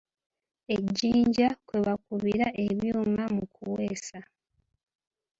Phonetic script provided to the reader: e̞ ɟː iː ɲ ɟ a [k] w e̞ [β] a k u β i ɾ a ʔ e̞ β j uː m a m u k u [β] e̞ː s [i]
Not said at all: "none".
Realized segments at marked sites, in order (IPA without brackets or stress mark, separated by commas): k, β, w, a